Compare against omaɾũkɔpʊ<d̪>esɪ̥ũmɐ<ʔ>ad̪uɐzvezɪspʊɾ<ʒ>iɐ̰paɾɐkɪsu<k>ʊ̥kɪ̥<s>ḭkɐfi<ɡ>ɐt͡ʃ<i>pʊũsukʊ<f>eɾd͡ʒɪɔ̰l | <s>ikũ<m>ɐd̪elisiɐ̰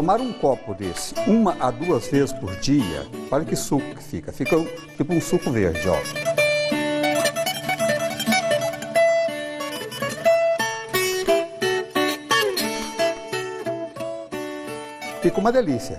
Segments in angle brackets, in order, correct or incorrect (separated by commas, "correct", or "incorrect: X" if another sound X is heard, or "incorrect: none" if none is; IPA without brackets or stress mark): correct, correct, incorrect: d͡ʒ, correct, incorrect: f, incorrect: k, correct, incorrect: v, incorrect: f, correct